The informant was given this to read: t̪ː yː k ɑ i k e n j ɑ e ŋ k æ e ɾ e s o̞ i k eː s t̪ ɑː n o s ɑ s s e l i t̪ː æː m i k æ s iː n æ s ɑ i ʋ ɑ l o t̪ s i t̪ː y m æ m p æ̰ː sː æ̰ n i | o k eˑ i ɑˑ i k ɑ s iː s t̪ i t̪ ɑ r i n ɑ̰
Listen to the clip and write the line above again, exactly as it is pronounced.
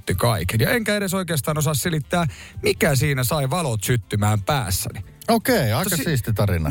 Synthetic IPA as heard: t̪ː y k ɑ i k e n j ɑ e ŋ k æ e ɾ e s o̞ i k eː s t̪ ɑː n o s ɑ s s e l i t̪ː æː m i k æ s iː n æ s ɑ i ʋ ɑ l o t̪ s y t̪ː y m æː m p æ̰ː sː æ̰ n i | o k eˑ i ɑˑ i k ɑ s iː s t̪ i t̪ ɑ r i n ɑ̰